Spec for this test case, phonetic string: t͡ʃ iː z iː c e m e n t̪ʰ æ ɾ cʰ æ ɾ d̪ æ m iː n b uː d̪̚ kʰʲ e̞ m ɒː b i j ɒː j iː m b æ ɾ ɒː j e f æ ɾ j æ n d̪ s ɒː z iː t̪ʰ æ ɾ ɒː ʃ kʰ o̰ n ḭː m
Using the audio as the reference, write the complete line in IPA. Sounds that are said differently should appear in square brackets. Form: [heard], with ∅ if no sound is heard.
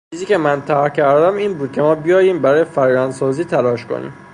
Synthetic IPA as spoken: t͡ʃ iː z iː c e m [æ] n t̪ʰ æ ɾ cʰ æ ɾ d̪ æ m iː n b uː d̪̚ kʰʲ e̞ m ɒː b i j ɒː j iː m b æ ɾ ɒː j e f æ ɾ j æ n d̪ s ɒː z iː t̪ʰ æ [l] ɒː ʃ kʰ o̰ n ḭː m

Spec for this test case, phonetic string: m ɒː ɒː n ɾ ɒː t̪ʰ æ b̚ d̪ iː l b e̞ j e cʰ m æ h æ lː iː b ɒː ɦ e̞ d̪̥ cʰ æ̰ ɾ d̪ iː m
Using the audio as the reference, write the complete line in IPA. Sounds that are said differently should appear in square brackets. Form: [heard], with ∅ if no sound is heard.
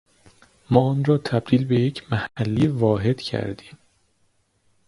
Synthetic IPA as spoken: m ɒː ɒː n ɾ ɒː t̪ʰ æ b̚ d̪ iː l b e̞ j e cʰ m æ h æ lː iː [v] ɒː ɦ e̞ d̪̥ cʰ æ̰ ɾ d̪ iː m

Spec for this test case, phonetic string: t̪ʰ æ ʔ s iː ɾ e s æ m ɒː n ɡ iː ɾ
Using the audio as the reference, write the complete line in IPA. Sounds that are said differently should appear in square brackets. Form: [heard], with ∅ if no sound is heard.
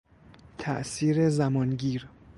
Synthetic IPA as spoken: t̪ʰ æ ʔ s iː ɾ e [z] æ m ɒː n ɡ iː ɾ

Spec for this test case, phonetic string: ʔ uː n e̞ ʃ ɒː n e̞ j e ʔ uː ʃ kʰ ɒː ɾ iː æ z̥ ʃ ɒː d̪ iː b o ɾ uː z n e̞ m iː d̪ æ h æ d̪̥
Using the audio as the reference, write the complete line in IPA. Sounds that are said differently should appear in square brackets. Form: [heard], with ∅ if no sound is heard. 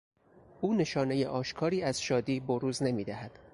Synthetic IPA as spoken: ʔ uː n e̞ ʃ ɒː n e̞ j e ʔ [ɒː] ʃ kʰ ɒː ɾ iː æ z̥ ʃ ɒː d̪ iː b o ɾ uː z n e̞ m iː d̪ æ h æ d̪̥

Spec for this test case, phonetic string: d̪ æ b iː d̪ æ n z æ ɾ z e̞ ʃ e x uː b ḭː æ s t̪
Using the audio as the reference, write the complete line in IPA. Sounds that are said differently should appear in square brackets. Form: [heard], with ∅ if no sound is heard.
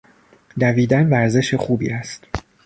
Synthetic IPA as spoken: d̪ æ [v] iː d̪ æ n [v] æ ɾ z e̞ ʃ e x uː b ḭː æ s t̪

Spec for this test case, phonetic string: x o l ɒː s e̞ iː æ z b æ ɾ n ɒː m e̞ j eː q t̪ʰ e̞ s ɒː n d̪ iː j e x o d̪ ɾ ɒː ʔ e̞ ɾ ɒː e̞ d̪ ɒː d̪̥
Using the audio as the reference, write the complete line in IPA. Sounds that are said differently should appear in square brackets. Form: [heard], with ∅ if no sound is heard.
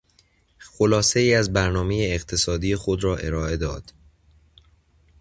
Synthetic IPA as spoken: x o l ɒː s e̞ iː æ z b æ ɾ n ɒː m e̞ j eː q t̪ʰ e̞ s ɒː [∅] d̪ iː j e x o d̪ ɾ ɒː ʔ e̞ ɾ ɒː e̞ d̪ ɒː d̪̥

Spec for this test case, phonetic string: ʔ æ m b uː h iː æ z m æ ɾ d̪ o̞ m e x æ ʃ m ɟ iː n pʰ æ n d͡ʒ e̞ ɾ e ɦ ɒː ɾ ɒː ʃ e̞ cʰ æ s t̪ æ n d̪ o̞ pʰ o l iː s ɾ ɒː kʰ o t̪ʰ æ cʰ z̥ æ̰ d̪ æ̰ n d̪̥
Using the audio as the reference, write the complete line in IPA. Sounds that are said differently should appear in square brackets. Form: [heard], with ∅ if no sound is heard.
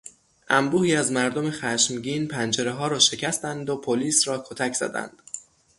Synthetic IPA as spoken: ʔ æ m b uː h iː æ z m æ ɾ d̪ o̞ m e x æ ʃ m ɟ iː n pʰ æ n d͡ʒ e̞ ɾ e ɦ ɒː ɾ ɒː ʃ e̞ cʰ æ s t̪ æ n d̪ o̞ pʰ o l iː s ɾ ɒː kʰ o t̪ʰ æ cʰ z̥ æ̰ d̪ æ̰ n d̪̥

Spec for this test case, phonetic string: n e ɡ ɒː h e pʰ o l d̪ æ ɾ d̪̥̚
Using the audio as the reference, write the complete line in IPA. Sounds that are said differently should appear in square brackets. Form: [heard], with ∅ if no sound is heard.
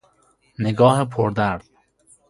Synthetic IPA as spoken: n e ɡ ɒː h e pʰ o [ɾ] d̪ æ ɾ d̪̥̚

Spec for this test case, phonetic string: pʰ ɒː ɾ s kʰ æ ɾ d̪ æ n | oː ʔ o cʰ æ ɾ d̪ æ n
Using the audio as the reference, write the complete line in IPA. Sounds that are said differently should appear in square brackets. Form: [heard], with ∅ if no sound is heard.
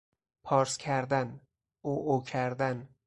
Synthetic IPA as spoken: pʰ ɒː ɾ s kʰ æ ɾ d̪ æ n | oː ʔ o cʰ æ ɾ d̪ æ n

